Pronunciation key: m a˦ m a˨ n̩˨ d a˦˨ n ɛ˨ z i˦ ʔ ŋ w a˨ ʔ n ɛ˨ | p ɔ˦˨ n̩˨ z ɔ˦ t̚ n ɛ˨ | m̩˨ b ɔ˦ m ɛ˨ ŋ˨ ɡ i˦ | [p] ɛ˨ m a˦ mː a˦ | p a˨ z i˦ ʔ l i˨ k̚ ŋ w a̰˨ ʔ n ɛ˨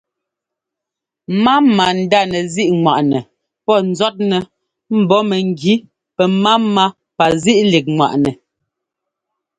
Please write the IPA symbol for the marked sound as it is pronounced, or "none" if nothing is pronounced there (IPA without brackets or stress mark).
p